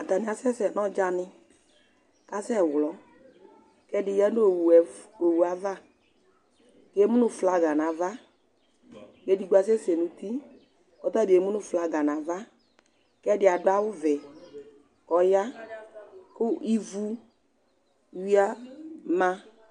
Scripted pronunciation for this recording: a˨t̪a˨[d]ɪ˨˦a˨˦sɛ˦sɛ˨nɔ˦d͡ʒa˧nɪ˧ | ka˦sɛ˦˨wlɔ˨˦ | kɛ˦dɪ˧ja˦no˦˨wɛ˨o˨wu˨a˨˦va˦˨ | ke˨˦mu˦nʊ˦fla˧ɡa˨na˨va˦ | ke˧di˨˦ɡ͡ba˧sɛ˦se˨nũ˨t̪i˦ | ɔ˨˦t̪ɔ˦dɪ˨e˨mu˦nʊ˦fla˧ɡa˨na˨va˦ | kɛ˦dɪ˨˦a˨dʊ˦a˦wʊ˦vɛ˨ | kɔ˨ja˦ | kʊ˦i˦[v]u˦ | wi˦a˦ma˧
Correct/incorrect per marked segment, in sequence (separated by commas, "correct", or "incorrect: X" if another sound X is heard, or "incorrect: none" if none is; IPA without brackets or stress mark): incorrect: n, correct